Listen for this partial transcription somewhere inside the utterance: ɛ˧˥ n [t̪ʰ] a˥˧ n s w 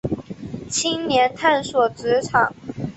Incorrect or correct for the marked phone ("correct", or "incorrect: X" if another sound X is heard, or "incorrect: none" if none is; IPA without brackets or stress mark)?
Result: correct